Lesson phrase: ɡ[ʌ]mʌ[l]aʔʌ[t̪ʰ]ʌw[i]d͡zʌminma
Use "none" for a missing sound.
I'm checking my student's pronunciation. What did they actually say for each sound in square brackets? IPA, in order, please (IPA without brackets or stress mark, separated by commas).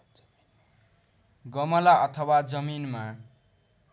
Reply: ʌ, l, t̪ʰ, a